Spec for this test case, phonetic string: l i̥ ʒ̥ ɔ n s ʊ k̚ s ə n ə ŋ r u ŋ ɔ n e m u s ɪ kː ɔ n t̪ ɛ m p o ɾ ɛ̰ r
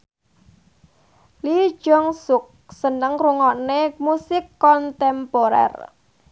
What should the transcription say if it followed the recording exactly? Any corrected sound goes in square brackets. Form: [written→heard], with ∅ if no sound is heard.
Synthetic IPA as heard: l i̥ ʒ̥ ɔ [n→ŋ] s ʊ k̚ s ə n ə ŋ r u ŋ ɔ n e m u s ɪ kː ɔ n t̪ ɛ m p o ɾ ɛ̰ r